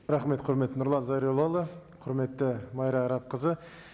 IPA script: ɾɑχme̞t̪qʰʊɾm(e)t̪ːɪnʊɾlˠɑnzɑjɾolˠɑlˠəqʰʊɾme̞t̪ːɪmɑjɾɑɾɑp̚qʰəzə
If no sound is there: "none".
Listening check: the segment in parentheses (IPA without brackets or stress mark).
e